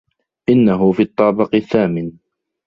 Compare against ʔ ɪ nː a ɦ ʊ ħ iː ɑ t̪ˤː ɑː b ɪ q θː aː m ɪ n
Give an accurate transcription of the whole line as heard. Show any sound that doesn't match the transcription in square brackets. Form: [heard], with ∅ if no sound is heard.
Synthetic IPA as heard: ʔ ɪ nː a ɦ ʊ [f] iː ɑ t̪ˤː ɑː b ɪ q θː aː m ɪ n